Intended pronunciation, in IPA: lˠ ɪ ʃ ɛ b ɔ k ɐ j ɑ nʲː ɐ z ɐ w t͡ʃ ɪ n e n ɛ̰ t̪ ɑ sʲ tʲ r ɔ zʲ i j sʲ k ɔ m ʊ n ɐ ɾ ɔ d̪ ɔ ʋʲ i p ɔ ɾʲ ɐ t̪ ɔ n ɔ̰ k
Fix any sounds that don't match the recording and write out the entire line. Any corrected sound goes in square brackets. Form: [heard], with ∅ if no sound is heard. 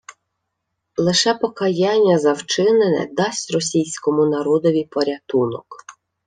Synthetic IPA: lˠ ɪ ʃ ɛ [p] ɔ k ɐ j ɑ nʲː ɐ z ɐ w t͡ʃ ɪ n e n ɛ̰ [d̪] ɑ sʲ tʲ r ɔ [sʲ] i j sʲ k ɔ m ʊ n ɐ ɾ ɔ d̪ ɔ ʋʲ i p ɔ ɾʲ ɐ t̪ [u] n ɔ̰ k